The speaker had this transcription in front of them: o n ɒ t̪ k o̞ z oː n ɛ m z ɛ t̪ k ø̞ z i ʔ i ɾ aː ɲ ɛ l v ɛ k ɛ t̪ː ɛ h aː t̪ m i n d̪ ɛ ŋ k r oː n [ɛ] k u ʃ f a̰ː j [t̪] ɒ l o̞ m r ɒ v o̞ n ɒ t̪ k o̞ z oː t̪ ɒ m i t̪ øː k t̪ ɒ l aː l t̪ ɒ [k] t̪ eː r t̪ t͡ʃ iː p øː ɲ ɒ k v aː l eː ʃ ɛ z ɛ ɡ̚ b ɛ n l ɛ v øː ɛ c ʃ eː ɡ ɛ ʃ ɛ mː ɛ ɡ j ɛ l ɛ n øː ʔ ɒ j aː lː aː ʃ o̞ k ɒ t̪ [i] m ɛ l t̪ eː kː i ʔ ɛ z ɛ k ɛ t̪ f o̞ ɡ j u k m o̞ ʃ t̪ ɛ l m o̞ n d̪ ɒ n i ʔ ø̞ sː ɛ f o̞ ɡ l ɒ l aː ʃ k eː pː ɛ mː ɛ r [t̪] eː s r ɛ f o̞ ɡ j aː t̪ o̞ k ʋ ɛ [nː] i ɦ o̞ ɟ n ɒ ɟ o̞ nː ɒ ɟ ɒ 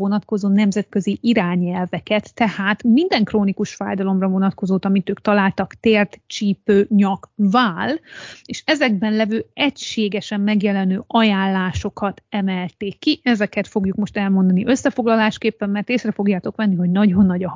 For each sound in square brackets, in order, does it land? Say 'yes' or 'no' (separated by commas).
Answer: no, no, yes, no, yes, yes